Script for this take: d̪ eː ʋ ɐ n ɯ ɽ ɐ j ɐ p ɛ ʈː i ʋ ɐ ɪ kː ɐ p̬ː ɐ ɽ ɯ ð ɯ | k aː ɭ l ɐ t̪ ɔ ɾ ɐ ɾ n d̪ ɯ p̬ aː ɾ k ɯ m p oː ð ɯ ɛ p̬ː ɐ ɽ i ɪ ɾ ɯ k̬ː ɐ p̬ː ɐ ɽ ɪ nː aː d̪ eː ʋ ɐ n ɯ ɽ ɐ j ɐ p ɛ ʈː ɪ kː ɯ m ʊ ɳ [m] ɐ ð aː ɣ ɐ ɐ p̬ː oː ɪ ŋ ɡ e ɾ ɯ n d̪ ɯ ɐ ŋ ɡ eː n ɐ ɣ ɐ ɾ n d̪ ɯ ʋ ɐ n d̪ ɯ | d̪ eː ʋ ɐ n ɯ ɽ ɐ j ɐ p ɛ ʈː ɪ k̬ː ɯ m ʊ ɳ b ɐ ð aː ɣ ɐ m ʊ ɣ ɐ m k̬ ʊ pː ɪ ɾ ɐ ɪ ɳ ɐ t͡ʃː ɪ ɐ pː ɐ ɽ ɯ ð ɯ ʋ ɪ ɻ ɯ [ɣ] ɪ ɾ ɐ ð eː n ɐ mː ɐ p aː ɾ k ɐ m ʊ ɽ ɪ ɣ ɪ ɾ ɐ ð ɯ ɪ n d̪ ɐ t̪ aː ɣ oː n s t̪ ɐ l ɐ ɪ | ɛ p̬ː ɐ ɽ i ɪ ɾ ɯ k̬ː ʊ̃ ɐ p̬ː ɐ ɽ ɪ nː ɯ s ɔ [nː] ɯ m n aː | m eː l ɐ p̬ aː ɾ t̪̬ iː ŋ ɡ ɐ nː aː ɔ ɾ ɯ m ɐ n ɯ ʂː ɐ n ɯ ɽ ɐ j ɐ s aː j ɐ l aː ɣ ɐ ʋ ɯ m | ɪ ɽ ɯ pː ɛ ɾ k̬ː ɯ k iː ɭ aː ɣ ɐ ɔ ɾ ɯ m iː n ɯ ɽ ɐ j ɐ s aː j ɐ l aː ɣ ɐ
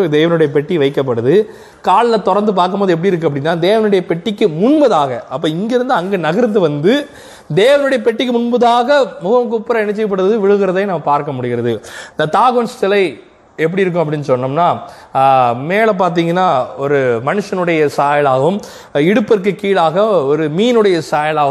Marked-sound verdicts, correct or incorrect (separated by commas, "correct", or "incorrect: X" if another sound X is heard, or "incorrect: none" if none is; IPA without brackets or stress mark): incorrect: b, correct, correct